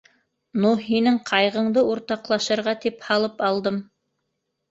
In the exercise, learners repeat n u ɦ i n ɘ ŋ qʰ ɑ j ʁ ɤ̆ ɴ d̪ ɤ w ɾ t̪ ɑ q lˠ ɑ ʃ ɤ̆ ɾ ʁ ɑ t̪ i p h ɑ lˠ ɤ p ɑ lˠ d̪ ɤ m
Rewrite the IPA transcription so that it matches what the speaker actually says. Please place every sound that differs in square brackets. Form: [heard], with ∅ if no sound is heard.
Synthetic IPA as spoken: n u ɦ i n ɘ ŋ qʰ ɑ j ʁ ɤ̆ ɴ d̪ ɤ [u] ɾ t̪ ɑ q lˠ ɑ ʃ ɤ̆ ɾ ʁ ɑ t̪ i p h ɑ lˠ ɤ p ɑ lˠ d̪ ɤ m

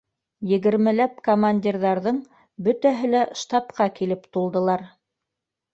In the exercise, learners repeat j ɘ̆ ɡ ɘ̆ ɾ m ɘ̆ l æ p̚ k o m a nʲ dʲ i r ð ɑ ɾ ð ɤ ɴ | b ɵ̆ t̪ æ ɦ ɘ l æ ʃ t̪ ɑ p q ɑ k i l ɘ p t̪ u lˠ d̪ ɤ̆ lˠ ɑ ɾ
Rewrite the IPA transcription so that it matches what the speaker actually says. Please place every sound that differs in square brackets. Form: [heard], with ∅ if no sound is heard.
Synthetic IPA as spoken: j ɘ̆ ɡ ɘ̆ ɾ m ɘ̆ l æ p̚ k o m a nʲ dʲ i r ð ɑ ɾ ð ɤ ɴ | b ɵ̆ t̪ æ ɦ ɘ l æ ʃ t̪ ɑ p q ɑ k i l ɘ p t̪ u lˠ d̪ ɤ̆ lˠ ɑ ɾ

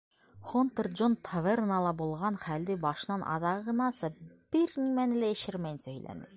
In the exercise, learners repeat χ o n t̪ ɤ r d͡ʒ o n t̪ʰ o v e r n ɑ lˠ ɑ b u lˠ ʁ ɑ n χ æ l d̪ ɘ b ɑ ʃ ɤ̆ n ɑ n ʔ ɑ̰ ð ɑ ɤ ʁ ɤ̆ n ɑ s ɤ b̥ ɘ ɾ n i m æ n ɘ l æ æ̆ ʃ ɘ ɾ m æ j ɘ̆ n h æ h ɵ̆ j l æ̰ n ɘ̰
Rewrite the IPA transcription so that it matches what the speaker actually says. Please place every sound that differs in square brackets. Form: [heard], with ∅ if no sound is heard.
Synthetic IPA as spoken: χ o n t̪ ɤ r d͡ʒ o n t̪ʰ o v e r n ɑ lˠ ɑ b u lˠ ʁ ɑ n χ æ l d̪ ɘ b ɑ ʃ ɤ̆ n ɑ n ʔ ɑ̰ ð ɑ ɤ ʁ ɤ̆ n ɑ s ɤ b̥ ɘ ɾ n i m æ n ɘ l æ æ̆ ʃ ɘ ɾ m æ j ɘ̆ n [s] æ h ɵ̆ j l æ̰ n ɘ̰

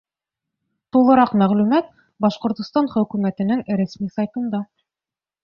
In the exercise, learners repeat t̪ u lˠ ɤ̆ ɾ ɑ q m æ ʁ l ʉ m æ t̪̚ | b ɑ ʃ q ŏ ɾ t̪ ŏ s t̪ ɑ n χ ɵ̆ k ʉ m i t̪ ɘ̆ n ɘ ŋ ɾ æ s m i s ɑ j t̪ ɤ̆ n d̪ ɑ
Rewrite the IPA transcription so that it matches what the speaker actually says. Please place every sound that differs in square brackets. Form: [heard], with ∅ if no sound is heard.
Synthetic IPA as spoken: t̪ u lˠ ɤ̆ ɾ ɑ q m æ ʁ l ʉ m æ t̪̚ | b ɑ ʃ q ŏ ɾ t̪ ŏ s t̪ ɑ n χ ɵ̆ k ʉ m [æ] t̪ ɘ̆ n ɘ ŋ ɾ æ s m i s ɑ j t̪ ɤ̆ n d̪ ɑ

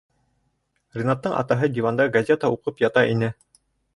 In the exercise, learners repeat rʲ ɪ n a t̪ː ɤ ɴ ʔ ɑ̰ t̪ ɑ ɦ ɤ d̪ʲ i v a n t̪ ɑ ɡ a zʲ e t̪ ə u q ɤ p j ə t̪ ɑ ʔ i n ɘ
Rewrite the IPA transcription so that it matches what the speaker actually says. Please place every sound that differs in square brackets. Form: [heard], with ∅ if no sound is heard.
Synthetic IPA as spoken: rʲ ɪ n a t̪ː ɤ ɴ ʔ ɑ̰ t̪ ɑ ɦ ɤ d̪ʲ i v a n [d̪] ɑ ɡ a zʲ e t̪ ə u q ɤ p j [ɑ] t̪ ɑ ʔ i n ɘ

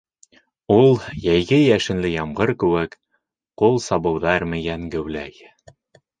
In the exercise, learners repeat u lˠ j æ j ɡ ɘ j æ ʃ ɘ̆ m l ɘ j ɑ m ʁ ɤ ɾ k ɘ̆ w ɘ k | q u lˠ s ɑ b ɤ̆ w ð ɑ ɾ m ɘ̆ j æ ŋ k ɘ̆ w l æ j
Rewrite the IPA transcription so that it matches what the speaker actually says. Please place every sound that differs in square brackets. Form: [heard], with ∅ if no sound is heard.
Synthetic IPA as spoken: u lˠ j æ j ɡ ɘ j æ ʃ ɘ̆ [n] l ɘ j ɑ m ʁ ɤ ɾ k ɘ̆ w ɘ k | q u lˠ s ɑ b ɤ̆ w ð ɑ ɾ m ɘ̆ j æ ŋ [ɡ] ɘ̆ w l æ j

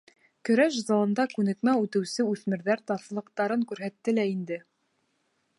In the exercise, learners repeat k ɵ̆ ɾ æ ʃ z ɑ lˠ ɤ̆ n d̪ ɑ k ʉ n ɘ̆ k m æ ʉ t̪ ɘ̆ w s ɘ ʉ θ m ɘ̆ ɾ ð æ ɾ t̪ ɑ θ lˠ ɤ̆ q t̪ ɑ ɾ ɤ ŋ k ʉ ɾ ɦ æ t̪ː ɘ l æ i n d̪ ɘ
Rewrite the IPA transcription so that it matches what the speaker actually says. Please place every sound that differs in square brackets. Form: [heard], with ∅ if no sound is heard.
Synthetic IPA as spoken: k ɵ̆ ɾ æ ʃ z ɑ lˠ ɤ̆ n d̪ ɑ k ʉ n ɘ̆ k m æ ʉ t̪ ɘ̆ w s ɘ ʉ θ m ɘ̆ ɾ ð æ ɾ t̪ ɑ θ lˠ ɤ̆ q t̪ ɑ ɾ ɤ ŋ k ʉ ɾ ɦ æ t̪ː ɘ l æ i n d̪ ɘ

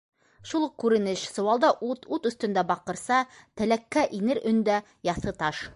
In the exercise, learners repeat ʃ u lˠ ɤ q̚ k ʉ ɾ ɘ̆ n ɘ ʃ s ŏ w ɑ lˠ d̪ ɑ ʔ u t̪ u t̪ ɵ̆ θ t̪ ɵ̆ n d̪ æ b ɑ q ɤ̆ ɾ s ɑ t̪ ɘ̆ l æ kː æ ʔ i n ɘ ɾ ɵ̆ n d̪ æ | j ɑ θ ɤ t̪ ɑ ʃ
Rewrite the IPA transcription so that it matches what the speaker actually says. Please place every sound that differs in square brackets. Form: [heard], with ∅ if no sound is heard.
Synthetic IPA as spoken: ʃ u lˠ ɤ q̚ k ʉ ɾ ɘ̆ n ɘ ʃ s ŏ w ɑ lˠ d̪ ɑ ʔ u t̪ u t̪ ɵ̆ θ t̪ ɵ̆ n d̪ æ b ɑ q ɤ̆ ɾ s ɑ t̪ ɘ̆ l æ kː æ ʔ i n ɘ ɾ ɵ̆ n d̪ æ | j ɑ θ ɤ t̪ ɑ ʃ

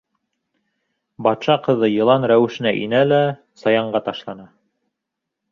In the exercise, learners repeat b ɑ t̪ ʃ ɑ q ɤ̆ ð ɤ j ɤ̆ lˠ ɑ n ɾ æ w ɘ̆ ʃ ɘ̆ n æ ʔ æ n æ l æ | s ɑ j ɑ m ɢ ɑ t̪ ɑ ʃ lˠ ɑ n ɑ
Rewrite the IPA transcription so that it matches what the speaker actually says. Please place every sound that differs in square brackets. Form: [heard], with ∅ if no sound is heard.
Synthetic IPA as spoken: b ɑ t̪ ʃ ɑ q ɤ̆ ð ɤ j ɤ̆ lˠ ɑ n ɾ æ w ɘ̆ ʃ ɘ̆ n æ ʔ [i] n æ l æ | s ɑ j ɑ [ɴ] ɢ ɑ t̪ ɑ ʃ lˠ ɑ n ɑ

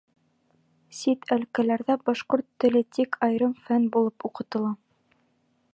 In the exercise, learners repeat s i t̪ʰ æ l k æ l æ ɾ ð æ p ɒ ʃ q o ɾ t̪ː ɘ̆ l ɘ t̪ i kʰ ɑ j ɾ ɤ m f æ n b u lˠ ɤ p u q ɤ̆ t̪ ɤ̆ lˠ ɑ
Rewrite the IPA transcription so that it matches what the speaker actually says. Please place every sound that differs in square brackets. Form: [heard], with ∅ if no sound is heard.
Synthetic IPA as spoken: s i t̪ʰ æ l k æ l æ ɾ ð æ [b] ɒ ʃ q o ɾ t̪ː ɘ̆ l ɘ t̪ i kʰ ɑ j ɾ ɤ m f æ n b u lˠ ɤ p u q ɤ̆ t̪ ɤ̆ lˠ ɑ

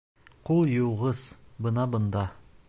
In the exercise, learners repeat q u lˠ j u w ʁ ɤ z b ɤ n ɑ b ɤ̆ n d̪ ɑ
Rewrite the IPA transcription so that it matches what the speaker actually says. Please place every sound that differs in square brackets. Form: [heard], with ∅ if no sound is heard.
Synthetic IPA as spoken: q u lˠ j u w ʁ ɤ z b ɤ n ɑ b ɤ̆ n d̪ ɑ

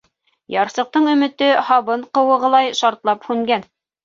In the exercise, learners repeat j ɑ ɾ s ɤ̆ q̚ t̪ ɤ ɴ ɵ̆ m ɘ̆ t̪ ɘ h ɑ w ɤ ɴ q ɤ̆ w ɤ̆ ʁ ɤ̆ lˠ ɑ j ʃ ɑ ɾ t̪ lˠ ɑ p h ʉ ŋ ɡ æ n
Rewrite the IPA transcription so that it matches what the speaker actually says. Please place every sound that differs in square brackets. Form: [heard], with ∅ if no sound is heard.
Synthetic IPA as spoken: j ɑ ɾ s ɤ̆ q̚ t̪ ɤ ɴ ɵ̆ m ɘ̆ t̪ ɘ h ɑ [β] ɤ ɴ q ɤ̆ w ɤ̆ ʁ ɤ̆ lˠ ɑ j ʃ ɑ ɾ t̪ lˠ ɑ p h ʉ ŋ ɡ æ n

